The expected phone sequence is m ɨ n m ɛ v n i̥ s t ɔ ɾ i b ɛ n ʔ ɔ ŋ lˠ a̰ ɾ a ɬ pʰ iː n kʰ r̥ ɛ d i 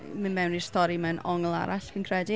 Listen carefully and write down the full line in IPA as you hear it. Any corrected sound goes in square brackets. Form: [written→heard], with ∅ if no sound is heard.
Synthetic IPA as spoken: m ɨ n m ɛ [v→w] n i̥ s t ɔ ɾ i [b→m] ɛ n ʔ ɔ ŋ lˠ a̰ ɾ a ɬ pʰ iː n kʰ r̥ ɛ d i